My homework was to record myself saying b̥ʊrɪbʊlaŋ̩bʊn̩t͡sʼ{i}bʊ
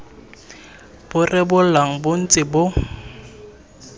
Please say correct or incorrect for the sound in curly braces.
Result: incorrect: ɪ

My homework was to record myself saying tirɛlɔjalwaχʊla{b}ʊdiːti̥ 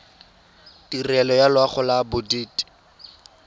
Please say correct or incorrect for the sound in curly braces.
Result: correct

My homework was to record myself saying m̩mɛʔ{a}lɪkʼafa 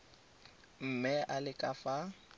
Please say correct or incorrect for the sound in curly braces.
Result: correct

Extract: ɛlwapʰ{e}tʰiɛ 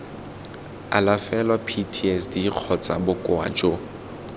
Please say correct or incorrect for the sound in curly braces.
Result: incorrect: i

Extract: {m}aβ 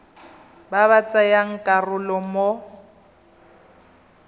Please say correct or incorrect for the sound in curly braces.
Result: incorrect: b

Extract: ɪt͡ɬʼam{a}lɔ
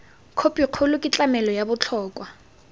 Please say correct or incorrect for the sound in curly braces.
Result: incorrect: ɛ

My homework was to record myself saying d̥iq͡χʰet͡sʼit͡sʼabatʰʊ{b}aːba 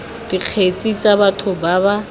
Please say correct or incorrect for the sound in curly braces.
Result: correct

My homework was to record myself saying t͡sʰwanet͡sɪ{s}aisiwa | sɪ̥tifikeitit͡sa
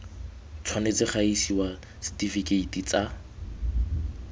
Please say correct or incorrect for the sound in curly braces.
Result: incorrect: χ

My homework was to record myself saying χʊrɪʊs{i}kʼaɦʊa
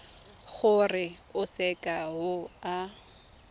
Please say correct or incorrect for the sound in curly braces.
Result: incorrect: ɛ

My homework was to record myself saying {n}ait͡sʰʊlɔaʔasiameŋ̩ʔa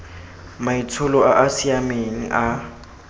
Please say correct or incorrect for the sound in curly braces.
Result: incorrect: m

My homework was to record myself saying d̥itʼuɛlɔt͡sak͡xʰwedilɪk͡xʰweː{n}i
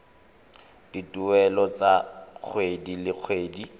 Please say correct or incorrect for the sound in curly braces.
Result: incorrect: d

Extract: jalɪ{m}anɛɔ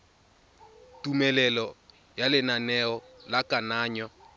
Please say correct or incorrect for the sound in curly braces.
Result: incorrect: n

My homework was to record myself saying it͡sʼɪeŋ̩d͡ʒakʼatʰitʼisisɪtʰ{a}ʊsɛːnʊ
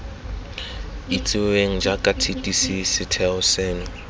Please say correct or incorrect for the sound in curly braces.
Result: incorrect: ɛ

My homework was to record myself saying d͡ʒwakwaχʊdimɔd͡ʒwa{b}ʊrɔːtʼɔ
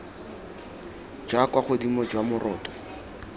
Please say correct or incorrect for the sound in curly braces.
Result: incorrect: m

